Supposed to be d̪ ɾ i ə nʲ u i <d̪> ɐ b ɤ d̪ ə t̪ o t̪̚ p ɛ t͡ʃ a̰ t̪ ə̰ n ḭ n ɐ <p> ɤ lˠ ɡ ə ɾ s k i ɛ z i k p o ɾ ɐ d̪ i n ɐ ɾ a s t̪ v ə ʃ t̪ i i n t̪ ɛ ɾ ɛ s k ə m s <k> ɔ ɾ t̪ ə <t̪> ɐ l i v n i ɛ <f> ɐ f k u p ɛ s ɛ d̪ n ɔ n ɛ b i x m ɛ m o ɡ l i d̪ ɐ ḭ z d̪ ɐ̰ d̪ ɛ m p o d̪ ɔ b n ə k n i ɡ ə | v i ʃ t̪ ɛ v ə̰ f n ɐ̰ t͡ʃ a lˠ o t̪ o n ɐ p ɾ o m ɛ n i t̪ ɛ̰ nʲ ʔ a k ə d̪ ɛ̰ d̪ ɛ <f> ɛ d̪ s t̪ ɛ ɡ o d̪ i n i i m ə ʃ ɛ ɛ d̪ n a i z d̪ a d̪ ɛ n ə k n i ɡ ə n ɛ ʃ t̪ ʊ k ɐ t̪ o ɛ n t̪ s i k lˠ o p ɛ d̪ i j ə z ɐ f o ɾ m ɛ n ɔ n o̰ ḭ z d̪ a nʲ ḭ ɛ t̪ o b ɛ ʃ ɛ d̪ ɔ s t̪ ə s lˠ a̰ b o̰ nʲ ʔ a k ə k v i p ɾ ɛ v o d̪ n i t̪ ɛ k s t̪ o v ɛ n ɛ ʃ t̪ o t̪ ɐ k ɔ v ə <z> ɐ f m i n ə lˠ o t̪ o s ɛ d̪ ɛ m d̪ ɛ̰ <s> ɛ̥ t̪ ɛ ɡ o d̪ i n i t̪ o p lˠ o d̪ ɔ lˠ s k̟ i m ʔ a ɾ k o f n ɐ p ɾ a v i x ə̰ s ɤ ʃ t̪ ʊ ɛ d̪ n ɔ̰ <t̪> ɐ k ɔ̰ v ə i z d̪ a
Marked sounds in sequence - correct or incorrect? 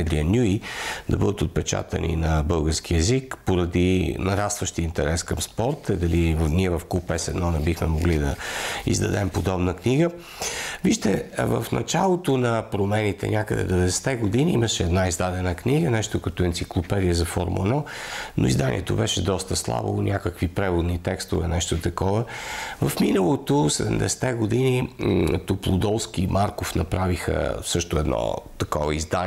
correct, incorrect, incorrect, incorrect, incorrect, incorrect, incorrect, correct, correct

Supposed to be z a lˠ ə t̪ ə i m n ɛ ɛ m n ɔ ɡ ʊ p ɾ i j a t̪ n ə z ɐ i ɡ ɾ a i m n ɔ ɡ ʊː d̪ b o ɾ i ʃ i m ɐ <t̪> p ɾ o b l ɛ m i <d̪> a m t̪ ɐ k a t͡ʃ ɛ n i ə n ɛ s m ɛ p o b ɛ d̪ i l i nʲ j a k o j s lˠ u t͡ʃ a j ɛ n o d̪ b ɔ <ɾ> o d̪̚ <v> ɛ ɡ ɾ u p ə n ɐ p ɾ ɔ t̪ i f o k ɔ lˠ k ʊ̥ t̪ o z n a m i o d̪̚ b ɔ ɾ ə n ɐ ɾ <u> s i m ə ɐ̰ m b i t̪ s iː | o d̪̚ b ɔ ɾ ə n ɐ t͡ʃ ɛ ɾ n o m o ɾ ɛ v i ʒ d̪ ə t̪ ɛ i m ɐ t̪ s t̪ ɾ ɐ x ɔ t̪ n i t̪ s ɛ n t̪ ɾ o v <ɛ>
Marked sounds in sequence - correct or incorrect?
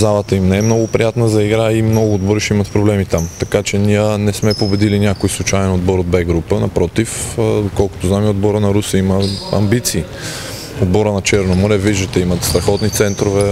correct, incorrect, correct, incorrect, correct, correct

